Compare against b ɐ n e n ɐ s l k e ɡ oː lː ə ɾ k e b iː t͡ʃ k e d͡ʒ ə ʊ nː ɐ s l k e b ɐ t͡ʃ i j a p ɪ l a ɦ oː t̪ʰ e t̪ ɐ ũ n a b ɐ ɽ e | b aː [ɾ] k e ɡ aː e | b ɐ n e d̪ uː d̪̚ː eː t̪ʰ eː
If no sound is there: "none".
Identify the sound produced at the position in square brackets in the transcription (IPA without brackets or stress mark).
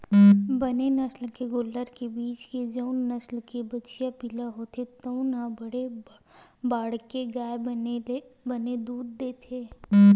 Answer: ɽ